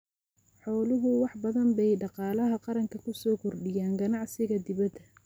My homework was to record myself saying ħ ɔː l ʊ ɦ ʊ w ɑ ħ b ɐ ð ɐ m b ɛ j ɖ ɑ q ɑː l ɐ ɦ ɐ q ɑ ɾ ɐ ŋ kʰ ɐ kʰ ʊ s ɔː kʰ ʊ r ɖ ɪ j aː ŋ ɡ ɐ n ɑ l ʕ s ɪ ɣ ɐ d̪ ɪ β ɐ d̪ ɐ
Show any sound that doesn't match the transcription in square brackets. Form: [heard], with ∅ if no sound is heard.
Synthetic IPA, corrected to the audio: ħ ɔː l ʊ ɦ ʊ w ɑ ħ b ɐ ð ɐ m b ɛ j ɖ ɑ q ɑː l ɐ ɦ ɐ q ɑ ɾ ɐ ŋ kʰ ɐ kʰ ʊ s ɔː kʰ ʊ r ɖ ɪ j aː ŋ ɡ ɐ n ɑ [∅] ʕ s ɪ ɣ ɐ d̪ ɪ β ɐ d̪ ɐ